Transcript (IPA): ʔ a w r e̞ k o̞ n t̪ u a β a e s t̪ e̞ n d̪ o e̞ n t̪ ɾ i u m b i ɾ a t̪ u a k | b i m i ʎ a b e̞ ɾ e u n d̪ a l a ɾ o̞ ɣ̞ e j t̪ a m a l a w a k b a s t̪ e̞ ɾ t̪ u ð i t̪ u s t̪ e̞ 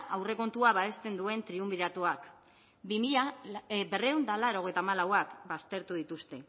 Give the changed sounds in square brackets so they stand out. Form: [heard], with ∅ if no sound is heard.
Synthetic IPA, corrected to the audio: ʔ a w r e̞ k o̞ n t̪ u a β a e s t̪ e̞ n d̪ [u] e̞ n t̪ ɾ i u m b i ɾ a t̪ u a k | b i m i ʎ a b e̞ [r] e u n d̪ a l a ɾ o̞ ɣ̞ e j t̪ a m a l a w a k b a s t̪ e̞ ɾ t̪ u ð i t̪ u s t̪ e̞